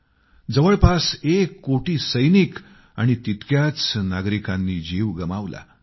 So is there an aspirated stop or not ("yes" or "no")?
no